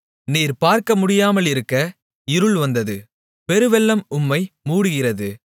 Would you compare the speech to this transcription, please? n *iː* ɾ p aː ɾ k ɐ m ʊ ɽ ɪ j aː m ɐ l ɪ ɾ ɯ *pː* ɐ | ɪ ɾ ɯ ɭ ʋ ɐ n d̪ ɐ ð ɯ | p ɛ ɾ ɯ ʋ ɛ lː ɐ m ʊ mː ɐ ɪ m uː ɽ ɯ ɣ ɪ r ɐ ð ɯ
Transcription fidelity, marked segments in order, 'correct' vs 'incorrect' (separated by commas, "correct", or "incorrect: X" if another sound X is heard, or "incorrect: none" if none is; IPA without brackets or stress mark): correct, incorrect: kː